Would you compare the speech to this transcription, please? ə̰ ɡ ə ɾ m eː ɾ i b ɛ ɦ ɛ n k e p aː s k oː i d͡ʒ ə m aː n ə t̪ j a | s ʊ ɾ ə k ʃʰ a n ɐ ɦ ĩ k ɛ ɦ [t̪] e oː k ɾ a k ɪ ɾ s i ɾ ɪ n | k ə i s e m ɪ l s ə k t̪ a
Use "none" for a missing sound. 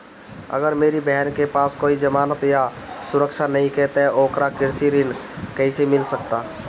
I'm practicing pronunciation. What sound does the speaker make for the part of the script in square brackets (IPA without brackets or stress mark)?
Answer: t̪